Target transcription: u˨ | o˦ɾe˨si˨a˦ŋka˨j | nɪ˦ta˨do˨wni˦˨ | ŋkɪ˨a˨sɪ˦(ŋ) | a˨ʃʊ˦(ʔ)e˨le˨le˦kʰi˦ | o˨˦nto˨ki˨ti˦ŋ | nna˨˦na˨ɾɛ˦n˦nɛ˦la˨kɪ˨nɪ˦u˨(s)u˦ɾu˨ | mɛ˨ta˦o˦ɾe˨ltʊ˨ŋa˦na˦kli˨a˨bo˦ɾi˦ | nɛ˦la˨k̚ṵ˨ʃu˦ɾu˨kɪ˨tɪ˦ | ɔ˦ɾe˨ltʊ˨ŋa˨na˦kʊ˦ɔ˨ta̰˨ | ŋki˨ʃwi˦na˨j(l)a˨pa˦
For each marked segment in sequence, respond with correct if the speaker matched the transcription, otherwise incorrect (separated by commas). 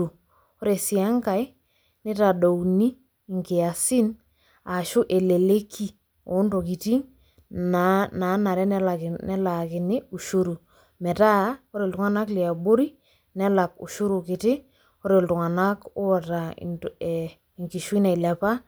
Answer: incorrect, correct, incorrect, correct